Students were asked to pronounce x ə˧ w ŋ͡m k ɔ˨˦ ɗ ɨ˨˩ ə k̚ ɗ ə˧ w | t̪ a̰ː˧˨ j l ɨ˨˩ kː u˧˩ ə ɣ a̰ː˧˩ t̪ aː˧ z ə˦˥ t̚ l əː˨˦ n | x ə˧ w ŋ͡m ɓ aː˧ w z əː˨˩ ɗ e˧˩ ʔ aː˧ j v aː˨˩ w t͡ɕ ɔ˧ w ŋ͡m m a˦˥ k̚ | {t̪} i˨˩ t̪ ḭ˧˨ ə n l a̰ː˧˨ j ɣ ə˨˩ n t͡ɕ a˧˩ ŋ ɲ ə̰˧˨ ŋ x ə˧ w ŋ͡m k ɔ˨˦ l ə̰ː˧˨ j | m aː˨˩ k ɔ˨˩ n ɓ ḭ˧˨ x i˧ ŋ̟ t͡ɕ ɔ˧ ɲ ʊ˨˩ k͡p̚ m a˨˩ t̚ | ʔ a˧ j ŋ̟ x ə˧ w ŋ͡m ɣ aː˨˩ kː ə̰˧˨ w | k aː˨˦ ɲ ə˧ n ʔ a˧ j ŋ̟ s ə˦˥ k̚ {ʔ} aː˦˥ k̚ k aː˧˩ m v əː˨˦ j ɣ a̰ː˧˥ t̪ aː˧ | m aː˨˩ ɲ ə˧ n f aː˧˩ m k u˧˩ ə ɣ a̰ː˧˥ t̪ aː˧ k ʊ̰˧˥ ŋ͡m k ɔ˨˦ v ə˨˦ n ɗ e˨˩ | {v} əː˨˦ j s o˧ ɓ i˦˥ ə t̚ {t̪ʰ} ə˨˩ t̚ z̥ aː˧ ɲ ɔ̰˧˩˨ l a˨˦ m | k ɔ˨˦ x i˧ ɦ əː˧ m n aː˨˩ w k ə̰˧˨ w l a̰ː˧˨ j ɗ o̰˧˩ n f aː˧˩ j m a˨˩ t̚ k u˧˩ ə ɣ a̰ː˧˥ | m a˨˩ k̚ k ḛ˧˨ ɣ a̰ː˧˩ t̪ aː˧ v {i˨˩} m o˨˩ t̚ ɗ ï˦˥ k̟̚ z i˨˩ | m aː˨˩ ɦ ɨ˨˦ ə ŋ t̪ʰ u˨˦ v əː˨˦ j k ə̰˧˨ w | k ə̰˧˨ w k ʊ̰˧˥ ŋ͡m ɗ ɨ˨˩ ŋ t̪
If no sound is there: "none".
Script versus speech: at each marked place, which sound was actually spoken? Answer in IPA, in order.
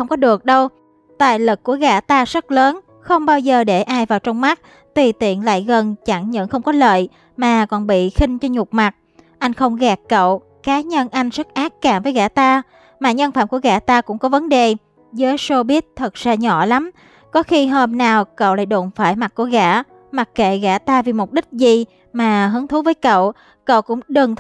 t̪, ʔ, z, t̪ʰ, i˨˩

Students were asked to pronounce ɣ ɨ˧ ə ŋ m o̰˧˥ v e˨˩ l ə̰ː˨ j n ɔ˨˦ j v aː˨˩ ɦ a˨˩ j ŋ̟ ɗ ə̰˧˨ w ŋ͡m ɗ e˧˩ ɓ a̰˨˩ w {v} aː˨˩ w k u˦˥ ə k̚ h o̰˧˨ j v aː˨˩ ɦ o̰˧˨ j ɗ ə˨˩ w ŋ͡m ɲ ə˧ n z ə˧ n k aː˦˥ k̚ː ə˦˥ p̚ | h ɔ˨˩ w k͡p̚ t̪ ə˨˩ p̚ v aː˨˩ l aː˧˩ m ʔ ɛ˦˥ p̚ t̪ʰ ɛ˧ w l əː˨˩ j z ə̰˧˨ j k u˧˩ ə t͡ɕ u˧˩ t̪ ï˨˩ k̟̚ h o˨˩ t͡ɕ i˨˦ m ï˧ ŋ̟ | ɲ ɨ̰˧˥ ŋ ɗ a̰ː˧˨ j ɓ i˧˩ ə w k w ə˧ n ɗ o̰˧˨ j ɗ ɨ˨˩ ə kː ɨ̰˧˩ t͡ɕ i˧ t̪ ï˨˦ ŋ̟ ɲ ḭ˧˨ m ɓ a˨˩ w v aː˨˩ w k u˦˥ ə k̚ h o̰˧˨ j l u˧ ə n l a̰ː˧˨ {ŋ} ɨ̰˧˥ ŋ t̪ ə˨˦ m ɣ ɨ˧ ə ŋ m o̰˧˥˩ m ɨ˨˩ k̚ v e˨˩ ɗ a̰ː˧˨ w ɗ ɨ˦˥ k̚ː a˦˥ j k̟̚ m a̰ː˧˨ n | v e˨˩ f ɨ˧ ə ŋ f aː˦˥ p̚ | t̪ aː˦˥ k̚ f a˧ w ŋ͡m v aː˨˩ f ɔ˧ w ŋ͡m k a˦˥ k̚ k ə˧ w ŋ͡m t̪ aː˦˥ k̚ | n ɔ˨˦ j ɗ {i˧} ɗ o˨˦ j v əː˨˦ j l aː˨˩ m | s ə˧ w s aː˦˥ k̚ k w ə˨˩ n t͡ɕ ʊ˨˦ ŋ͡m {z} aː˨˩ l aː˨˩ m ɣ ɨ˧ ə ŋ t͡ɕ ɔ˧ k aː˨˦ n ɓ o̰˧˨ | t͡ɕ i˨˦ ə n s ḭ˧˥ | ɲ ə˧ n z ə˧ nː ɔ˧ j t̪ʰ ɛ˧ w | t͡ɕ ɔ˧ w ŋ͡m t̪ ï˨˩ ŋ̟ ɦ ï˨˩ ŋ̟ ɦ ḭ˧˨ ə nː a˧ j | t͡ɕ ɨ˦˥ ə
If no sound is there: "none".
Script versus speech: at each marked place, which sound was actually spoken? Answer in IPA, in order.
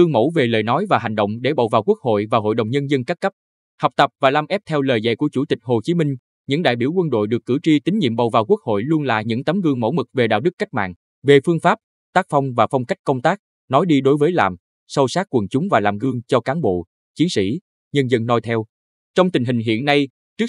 v, ɲ, i˧, v

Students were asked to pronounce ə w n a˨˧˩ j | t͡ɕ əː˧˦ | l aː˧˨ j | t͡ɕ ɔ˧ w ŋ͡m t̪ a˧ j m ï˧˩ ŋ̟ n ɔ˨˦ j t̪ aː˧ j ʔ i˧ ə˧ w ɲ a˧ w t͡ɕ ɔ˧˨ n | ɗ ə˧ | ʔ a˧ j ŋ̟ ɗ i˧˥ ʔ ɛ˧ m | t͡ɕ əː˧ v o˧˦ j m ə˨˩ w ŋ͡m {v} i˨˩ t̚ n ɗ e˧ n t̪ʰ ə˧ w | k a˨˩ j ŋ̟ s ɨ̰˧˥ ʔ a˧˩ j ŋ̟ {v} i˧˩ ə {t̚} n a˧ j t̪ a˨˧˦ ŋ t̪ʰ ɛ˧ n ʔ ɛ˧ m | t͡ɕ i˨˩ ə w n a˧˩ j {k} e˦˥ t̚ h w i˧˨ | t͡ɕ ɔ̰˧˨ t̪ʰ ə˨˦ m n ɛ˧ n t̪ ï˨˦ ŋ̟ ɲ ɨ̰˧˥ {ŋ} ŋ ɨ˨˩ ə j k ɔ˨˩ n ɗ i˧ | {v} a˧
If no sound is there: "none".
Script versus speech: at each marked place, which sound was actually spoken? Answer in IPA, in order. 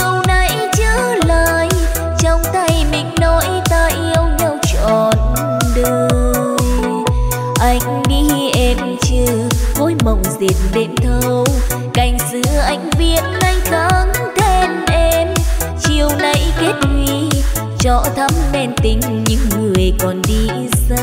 z, v, t̚, k, ŋ, z

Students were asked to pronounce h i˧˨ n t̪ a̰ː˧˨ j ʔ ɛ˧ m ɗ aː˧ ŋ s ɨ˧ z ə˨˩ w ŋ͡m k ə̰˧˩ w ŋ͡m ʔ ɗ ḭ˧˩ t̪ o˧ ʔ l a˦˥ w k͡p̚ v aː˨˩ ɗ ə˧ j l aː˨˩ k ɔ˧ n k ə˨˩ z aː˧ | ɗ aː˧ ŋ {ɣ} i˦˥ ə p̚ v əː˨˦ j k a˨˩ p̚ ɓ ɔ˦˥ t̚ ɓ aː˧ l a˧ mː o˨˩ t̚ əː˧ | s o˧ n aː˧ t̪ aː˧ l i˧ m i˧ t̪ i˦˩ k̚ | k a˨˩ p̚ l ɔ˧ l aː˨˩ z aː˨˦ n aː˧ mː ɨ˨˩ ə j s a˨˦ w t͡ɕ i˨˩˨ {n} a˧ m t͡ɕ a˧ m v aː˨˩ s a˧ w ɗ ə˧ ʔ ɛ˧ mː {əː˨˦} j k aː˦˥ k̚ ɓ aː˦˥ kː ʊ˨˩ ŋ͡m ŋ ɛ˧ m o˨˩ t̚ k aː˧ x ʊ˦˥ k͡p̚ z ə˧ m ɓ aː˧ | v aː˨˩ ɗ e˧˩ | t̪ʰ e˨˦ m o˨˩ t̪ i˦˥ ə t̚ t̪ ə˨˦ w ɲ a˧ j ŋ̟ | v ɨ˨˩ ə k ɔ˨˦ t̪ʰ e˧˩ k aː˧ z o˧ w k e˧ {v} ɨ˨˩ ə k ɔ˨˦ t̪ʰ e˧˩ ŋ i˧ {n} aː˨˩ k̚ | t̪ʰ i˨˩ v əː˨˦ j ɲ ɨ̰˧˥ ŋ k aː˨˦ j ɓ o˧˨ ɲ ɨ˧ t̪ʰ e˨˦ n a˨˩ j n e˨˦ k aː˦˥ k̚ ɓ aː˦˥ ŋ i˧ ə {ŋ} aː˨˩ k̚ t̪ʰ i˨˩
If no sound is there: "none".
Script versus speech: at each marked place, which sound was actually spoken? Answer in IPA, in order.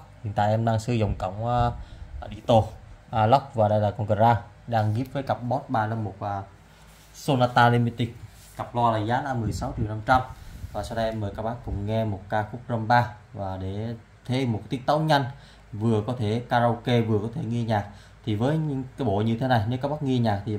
ɣ, n, əː˨˩, v, ɲ, ɲ

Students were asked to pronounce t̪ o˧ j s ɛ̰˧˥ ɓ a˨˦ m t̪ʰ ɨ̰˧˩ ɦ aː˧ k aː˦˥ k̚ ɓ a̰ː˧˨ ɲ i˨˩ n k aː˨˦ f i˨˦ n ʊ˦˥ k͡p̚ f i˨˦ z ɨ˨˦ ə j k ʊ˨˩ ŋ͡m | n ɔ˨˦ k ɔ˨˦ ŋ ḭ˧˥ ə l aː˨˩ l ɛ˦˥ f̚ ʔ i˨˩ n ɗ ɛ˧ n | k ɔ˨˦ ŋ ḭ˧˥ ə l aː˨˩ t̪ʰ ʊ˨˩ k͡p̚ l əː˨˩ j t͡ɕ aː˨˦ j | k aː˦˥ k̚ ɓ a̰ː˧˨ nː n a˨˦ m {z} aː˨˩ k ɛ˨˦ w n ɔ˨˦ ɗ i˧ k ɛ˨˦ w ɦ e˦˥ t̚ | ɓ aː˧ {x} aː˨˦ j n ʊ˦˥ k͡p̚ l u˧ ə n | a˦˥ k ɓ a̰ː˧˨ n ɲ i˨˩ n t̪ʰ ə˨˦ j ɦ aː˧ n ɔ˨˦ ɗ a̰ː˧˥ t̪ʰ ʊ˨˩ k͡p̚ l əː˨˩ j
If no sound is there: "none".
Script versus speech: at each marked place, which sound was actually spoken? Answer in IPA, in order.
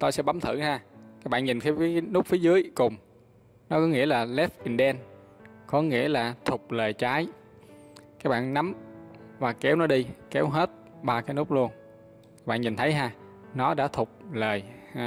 v, k

